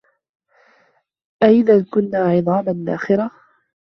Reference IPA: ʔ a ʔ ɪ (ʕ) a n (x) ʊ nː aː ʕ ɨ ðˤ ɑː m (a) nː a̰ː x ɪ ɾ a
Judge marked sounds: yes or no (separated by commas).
no, no, yes